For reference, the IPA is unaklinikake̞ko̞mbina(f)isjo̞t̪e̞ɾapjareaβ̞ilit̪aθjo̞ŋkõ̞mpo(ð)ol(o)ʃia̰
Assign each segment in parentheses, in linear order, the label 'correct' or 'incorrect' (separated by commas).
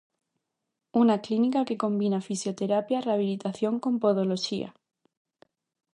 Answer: correct, correct, correct